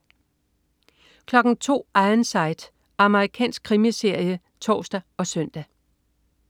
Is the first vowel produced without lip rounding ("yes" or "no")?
no